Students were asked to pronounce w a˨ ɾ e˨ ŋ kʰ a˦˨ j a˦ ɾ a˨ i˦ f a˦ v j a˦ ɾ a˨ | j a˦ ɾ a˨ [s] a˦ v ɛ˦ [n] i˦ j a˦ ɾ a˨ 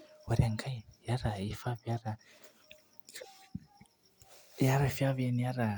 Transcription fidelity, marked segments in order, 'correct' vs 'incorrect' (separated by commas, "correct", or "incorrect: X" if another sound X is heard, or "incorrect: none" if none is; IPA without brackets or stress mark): incorrect: f, correct